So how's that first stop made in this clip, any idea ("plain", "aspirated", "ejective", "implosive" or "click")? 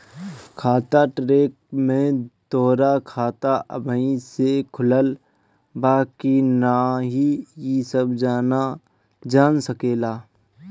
aspirated